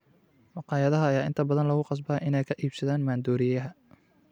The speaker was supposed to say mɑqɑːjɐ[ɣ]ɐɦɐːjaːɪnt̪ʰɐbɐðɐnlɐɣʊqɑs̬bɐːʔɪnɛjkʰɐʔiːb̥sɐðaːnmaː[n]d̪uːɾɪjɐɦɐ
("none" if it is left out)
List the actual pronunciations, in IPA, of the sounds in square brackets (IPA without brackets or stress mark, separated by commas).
ð, n